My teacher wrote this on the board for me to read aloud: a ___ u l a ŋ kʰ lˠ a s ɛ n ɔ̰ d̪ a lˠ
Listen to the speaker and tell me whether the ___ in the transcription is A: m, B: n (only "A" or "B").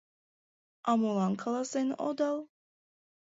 A